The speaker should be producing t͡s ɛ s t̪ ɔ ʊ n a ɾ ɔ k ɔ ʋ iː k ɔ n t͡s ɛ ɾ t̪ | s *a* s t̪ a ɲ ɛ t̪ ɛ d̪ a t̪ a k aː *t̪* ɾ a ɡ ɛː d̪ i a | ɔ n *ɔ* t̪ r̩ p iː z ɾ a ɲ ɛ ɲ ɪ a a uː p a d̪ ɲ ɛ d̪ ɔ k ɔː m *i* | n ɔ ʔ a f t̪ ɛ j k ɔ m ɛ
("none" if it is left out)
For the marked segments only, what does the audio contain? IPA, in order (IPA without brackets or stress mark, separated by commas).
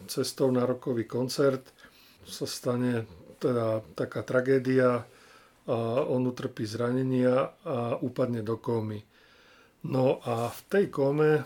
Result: a, t̪, u, i